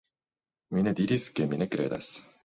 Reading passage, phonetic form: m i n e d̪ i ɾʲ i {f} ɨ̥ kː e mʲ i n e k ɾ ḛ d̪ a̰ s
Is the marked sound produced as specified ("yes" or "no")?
no